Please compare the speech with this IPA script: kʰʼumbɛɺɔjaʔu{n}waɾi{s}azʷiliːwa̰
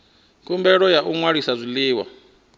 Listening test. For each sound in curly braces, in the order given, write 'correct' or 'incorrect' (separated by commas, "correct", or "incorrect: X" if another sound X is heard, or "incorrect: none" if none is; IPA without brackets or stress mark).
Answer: incorrect: ŋ, correct